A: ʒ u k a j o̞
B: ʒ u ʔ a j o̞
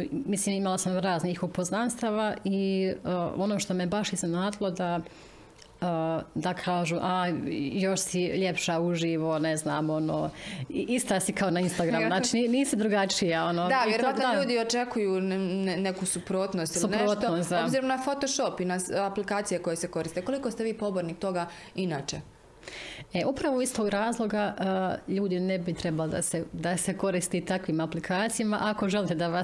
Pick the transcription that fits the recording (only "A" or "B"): B